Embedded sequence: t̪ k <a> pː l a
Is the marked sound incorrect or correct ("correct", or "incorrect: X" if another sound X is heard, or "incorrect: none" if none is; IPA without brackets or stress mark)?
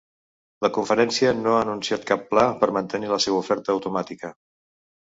correct